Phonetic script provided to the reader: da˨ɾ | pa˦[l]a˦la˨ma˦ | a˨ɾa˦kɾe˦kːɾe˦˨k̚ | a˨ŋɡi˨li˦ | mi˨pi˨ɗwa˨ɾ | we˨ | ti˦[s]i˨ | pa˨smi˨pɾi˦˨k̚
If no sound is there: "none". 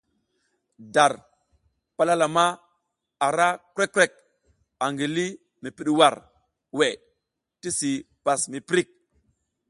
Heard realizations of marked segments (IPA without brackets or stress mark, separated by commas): l, s